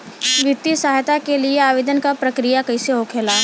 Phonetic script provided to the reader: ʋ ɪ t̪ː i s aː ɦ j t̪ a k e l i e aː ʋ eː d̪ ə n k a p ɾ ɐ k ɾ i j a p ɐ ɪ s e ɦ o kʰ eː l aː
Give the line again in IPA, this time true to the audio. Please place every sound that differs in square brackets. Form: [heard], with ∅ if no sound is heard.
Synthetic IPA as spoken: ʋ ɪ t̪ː i s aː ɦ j t̪ a k e l i e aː ʋ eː d̪ ə n k a p ɾ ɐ k ɾ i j a [k] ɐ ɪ s e ɦ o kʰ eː l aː